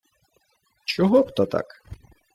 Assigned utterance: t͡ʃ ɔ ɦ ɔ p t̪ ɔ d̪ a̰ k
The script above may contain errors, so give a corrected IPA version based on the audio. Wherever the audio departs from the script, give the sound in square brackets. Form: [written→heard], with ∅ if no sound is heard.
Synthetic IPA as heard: t͡ʃ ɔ ɦ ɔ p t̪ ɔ [d̪→t̪] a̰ k